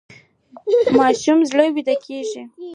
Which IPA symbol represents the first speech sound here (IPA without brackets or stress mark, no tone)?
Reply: m